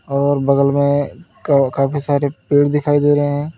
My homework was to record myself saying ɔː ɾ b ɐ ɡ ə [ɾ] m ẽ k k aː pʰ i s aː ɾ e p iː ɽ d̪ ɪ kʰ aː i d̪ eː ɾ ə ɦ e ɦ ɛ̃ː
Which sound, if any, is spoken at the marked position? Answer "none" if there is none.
l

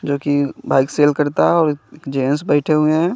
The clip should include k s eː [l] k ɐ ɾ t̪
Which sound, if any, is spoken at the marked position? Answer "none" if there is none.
l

